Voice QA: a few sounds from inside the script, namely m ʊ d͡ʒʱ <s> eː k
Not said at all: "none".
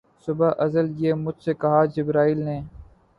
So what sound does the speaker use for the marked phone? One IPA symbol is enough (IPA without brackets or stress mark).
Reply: s